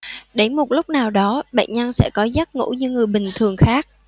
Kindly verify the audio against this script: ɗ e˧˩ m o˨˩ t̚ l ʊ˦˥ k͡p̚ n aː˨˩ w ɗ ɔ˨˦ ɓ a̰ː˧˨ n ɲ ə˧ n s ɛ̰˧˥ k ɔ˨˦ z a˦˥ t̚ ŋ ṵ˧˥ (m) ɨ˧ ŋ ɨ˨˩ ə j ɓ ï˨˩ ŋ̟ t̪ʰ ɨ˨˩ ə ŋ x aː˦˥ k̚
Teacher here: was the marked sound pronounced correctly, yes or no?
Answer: no